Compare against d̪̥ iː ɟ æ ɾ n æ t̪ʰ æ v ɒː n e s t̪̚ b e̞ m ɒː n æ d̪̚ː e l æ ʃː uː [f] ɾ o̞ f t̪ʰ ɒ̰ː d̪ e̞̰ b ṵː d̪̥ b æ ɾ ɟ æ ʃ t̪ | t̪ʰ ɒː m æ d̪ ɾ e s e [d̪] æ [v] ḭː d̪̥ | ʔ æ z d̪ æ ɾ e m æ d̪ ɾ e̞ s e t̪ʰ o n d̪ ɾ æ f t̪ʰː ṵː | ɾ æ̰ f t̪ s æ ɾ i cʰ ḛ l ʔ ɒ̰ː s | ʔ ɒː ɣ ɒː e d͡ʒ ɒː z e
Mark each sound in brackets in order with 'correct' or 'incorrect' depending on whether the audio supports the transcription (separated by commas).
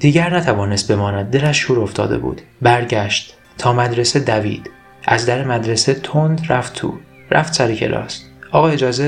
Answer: incorrect, correct, correct